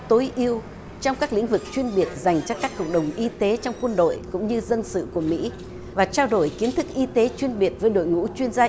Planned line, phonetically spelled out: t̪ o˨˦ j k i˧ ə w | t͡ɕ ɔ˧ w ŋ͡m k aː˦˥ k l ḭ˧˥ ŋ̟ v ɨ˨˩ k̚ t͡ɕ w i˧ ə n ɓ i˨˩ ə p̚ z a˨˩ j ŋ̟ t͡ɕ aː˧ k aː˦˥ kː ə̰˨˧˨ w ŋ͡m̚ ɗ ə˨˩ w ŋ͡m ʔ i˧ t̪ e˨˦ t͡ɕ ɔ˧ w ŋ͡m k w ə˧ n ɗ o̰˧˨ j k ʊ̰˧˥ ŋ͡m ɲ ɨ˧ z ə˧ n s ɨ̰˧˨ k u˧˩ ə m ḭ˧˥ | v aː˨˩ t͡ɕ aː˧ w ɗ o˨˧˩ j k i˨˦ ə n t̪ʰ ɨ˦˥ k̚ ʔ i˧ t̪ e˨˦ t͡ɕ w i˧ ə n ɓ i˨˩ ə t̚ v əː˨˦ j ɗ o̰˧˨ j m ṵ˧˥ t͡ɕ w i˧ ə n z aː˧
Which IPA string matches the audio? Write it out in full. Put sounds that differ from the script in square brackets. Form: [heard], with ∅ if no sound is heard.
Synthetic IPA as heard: t̪ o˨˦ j [ʔ] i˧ ə w | t͡ɕ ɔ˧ w ŋ͡m k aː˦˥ k l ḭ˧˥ ŋ̟ v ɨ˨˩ k̚ t͡ɕ w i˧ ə n ɓ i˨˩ ə [t̚] z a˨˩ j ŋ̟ t͡ɕ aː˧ k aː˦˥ kː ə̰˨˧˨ w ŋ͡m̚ ɗ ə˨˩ w ŋ͡m ʔ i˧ t̪ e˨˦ t͡ɕ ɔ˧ w ŋ͡m k w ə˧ n ɗ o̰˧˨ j k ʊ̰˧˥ ŋ͡m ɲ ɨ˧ z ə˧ n s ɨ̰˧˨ k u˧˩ ə m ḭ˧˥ | v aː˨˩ t͡ɕ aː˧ w ɗ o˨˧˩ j k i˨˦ ə n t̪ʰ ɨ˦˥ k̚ ʔ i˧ t̪ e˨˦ t͡ɕ w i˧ ə n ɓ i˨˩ ə t̚ v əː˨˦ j ɗ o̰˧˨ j [ŋ] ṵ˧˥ t͡ɕ w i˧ ə n z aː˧